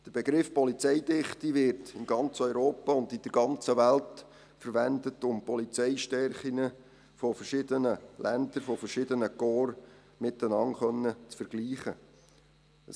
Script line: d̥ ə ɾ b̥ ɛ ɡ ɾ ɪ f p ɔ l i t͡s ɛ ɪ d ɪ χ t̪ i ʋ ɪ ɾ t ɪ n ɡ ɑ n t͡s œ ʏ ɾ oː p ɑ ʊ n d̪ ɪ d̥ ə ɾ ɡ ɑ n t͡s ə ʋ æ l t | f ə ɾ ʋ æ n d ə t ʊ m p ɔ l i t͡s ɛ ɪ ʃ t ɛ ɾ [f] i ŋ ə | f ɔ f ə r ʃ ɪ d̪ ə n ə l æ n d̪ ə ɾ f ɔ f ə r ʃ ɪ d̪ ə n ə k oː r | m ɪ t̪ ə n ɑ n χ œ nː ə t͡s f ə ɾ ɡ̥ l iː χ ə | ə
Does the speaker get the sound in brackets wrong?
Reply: yes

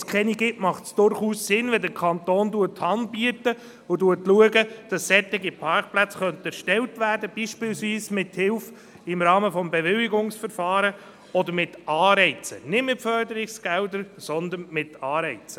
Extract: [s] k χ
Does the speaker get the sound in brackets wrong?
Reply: no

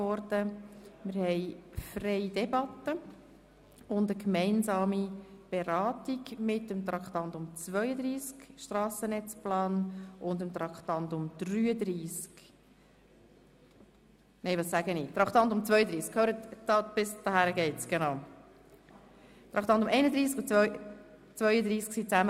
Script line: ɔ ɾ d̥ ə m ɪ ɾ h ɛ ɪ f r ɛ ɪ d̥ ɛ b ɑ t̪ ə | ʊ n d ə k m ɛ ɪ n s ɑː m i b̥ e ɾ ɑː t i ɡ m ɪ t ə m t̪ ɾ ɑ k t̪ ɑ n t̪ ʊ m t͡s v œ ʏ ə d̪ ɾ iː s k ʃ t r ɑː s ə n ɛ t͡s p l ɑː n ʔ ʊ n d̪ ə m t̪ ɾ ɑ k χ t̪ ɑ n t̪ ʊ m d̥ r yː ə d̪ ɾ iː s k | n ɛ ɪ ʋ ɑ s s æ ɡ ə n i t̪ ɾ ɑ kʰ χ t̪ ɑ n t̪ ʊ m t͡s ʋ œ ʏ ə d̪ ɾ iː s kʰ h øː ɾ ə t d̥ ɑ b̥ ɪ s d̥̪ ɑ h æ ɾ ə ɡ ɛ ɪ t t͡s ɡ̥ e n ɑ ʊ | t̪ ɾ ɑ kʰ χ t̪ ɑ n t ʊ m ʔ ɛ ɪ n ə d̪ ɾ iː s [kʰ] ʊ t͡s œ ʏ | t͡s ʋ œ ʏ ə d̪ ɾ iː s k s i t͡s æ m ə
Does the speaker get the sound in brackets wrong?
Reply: yes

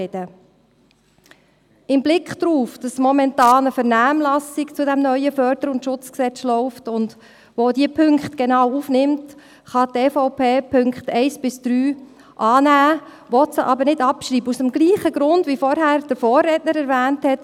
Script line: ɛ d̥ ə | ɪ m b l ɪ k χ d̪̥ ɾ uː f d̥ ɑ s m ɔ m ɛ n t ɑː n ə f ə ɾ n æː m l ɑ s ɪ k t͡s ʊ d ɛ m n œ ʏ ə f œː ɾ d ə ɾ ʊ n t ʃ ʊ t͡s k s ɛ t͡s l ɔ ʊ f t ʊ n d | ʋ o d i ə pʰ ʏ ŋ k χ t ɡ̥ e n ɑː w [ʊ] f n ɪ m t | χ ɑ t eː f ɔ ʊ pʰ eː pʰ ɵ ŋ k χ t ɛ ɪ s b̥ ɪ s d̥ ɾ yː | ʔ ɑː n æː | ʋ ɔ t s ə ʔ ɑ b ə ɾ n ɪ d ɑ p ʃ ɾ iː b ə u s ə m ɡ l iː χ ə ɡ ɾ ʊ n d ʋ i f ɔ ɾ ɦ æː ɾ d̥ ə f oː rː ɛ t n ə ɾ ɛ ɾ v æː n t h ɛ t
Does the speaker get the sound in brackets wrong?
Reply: yes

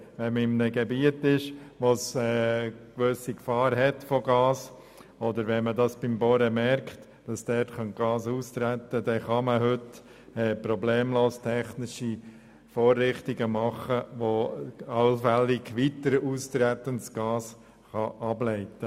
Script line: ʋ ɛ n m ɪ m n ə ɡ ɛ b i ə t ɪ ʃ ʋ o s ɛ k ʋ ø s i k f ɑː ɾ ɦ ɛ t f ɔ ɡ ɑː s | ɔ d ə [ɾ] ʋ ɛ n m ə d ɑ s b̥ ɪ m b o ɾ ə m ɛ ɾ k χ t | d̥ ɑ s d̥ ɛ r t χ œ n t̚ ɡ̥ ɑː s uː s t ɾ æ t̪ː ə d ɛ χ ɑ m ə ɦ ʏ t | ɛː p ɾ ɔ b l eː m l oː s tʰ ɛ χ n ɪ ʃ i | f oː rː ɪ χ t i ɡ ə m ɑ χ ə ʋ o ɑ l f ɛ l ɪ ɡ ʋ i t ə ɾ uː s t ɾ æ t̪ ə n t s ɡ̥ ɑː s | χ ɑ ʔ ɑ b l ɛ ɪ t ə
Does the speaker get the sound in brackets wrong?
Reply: no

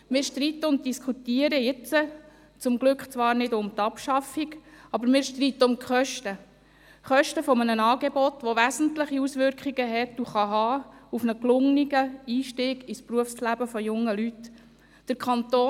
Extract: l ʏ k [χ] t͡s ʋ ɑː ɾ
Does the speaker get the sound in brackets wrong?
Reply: no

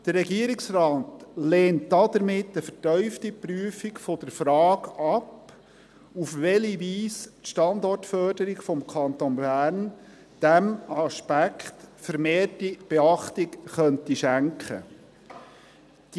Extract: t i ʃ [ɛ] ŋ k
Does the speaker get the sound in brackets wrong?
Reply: yes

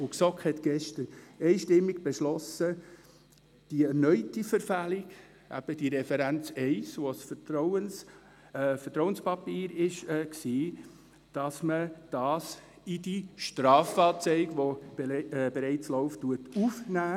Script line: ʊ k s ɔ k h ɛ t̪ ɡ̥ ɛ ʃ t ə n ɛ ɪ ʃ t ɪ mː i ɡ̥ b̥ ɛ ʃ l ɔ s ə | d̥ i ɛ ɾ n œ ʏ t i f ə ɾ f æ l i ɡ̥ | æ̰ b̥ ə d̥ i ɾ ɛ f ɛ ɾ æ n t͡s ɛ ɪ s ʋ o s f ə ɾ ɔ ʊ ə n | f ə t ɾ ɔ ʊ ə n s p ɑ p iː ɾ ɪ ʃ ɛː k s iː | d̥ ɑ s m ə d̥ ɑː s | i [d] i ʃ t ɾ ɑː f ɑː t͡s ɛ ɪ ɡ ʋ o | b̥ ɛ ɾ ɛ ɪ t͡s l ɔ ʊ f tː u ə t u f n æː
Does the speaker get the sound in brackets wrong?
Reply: no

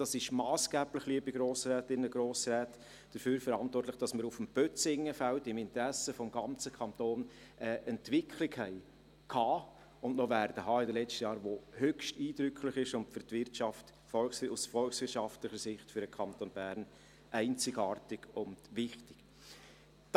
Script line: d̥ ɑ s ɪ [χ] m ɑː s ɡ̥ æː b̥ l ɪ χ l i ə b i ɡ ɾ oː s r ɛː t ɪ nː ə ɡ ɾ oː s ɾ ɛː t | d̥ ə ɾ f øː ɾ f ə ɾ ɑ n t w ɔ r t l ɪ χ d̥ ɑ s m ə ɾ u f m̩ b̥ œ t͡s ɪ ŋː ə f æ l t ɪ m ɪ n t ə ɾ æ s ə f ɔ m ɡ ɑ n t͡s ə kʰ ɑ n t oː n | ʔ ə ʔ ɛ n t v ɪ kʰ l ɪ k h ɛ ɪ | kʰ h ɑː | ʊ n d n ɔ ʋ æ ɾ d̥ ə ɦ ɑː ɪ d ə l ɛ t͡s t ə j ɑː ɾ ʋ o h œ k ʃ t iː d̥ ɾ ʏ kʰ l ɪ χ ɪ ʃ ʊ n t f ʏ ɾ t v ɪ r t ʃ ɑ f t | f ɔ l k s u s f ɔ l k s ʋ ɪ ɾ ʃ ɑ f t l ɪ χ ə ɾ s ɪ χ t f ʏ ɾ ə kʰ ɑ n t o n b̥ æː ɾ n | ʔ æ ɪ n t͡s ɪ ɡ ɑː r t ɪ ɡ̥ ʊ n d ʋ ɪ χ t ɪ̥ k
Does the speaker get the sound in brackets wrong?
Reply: yes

